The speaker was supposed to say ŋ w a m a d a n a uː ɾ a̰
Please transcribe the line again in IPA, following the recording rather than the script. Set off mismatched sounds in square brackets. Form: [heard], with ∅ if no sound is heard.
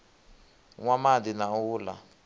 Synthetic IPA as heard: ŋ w a m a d [i] n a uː [l] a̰